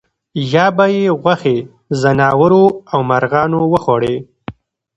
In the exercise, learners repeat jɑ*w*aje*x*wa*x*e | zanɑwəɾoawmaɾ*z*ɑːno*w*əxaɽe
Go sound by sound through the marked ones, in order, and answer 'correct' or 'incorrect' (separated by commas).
incorrect, incorrect, correct, incorrect, correct